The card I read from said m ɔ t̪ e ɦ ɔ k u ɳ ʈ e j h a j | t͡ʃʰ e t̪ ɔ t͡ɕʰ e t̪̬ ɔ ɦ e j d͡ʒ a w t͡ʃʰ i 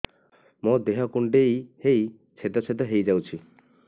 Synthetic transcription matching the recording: m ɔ d̪ e ɦ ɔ k u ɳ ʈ e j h e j | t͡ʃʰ e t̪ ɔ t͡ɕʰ e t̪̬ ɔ ɦ e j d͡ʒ a w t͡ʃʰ i